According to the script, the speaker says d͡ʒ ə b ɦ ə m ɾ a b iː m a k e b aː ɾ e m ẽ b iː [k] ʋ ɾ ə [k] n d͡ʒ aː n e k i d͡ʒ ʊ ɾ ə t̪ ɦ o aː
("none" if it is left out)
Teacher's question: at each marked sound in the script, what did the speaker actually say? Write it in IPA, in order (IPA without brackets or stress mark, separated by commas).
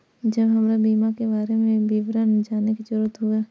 none, none